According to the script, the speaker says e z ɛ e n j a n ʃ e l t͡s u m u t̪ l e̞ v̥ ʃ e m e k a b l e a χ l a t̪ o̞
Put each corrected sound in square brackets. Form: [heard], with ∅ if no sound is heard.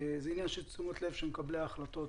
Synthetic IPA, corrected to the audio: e z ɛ [i] n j a n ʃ e l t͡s u m [o] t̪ l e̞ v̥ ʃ e m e k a b l e a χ l a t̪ o̞